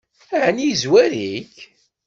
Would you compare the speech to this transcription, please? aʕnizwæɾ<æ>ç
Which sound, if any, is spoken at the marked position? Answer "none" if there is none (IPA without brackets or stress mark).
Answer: i